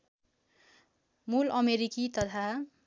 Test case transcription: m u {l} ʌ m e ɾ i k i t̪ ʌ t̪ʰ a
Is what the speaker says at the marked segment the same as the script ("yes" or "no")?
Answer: yes